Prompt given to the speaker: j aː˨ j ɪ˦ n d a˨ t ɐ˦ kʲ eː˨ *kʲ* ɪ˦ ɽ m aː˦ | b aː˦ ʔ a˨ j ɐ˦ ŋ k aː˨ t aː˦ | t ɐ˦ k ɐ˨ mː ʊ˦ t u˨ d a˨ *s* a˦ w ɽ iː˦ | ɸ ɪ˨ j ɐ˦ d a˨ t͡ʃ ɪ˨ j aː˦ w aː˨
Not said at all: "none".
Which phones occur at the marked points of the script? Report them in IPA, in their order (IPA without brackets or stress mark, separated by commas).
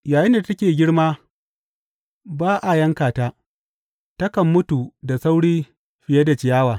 ɡʲ, s